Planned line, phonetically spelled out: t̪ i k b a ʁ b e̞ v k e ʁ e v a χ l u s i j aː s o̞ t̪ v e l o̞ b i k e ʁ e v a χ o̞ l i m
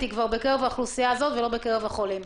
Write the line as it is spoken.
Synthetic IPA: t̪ i k v a ʁ b e̞ k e ʁ e v a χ l u s i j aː z o̞ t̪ v e l o̞ b e k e ʁ e v a χ o̞ l i m